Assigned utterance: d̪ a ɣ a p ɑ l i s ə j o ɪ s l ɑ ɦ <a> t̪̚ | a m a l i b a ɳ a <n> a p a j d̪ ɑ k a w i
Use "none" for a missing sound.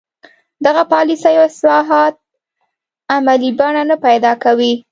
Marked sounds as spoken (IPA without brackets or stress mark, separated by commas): ɑ, n